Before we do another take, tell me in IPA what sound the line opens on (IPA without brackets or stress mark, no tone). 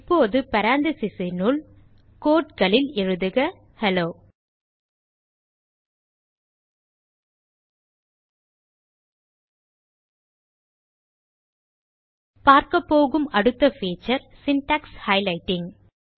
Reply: pː